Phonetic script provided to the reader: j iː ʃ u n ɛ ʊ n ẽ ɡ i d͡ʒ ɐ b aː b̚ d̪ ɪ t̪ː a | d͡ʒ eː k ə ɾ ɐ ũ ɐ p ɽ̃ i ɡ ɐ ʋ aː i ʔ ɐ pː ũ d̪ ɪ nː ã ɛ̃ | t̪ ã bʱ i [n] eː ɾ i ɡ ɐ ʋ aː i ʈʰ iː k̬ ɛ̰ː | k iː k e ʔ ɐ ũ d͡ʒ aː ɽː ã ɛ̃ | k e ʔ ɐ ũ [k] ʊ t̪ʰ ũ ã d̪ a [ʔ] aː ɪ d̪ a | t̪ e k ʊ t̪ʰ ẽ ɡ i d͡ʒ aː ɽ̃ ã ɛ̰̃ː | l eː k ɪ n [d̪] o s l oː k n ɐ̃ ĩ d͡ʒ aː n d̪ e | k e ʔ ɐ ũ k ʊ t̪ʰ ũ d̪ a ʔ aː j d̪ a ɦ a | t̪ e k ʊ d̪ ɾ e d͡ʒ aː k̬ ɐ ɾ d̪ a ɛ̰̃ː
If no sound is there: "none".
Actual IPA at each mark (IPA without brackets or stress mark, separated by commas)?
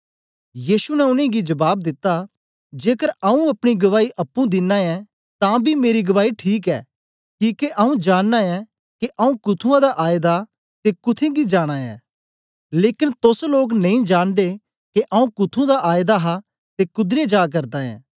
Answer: m, k, ʔ, t̪